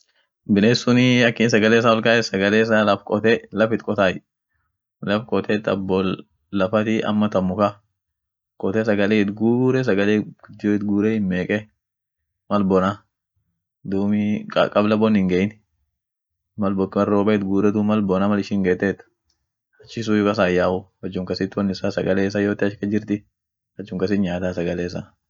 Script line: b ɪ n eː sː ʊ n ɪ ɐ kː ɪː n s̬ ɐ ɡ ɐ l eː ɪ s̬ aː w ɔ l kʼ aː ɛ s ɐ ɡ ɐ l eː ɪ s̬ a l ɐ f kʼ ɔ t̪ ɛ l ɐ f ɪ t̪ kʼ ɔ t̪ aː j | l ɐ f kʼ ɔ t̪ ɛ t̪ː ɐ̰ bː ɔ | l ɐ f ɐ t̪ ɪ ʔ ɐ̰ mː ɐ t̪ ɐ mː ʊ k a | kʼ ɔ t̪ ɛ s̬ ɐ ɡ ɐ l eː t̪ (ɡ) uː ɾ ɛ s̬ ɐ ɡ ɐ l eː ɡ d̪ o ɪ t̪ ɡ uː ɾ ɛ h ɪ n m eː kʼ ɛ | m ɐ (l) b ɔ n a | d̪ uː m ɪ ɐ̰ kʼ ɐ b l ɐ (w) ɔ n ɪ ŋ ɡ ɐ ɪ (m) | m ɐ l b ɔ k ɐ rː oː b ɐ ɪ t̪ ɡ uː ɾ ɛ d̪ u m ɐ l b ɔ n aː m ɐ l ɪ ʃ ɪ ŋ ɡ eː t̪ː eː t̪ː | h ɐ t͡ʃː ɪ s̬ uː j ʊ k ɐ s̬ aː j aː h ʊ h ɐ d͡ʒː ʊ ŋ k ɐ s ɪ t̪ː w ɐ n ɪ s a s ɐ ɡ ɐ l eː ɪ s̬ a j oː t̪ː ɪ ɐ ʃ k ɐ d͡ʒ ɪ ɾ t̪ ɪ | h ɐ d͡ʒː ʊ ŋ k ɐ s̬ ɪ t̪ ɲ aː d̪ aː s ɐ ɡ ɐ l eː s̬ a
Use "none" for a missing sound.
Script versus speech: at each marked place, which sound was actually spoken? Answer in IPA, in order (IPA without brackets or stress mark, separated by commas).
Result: ɡ, l, b, n